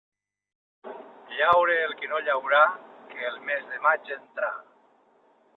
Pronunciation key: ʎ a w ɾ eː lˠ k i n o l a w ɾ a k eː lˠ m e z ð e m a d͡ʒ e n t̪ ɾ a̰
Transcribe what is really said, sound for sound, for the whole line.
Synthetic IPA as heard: ʎ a w ɾ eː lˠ k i n o ʎ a w ɾ a k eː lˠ m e z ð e m a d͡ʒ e n t̪ ɾ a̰